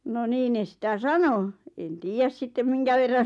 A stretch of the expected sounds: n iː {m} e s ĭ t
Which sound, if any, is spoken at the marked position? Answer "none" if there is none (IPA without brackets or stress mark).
n